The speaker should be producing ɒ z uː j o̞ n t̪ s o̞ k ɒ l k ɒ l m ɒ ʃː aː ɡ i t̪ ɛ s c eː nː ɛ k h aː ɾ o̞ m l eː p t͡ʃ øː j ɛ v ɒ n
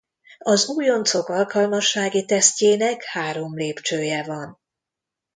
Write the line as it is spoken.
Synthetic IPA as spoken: ɒ z uː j o̞ n t̪ s o̞ k ɒ l k ɒ l m ɒ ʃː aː ɡ i t̪ ɛ s c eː n ɛ k h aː ɾ o̞ m l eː p t͡ʃ øː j ɛ v ɒ n